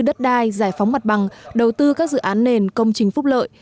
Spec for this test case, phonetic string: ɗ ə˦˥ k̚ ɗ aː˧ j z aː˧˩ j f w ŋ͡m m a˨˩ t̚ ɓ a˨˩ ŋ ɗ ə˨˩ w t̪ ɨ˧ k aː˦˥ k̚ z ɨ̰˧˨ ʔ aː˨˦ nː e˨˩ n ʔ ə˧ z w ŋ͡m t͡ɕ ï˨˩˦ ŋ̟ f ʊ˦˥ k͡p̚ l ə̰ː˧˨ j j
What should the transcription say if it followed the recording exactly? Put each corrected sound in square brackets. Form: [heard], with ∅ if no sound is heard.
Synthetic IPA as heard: ɗ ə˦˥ [t̚] ɗ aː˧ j z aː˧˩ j f w ŋ͡m m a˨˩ t̚ ɓ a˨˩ ŋ ɗ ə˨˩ w t̪ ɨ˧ k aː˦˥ k̚ z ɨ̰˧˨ ʔ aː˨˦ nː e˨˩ n [k] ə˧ [∅] w ŋ͡m t͡ɕ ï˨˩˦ ŋ̟ f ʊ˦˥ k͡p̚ l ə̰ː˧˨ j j